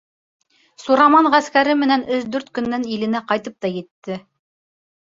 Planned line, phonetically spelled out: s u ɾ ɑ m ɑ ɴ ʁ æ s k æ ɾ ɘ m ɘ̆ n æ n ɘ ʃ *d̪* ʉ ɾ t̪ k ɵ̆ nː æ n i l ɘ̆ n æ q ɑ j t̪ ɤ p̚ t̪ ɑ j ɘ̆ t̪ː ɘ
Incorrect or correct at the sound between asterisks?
correct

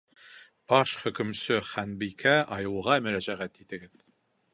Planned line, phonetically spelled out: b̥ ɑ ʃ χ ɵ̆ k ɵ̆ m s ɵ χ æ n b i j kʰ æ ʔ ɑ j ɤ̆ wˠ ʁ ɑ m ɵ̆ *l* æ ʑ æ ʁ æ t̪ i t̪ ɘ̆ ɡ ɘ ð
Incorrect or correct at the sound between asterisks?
incorrect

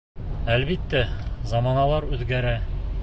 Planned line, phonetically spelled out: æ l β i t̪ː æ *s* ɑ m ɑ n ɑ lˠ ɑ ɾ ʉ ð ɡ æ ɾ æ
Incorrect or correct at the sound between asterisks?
incorrect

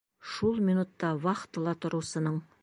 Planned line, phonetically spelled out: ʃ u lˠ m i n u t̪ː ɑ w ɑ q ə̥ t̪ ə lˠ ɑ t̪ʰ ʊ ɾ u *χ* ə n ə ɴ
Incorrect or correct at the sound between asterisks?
incorrect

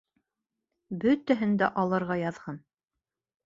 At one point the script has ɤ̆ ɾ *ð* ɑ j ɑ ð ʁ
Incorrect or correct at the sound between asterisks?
incorrect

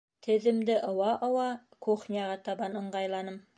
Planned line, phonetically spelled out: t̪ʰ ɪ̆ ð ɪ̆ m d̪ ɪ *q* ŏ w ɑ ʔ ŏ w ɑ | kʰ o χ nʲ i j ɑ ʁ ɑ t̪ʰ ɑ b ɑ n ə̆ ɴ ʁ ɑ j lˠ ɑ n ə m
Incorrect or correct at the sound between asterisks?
incorrect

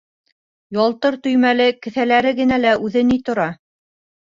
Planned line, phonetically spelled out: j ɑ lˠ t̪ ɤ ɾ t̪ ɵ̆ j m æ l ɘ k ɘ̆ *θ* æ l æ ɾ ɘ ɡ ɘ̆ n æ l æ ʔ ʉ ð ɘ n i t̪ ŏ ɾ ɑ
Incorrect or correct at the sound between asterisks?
correct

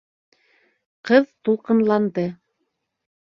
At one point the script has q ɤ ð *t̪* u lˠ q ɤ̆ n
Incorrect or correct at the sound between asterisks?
correct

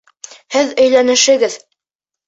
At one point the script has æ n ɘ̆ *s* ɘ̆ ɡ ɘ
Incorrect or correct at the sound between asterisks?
incorrect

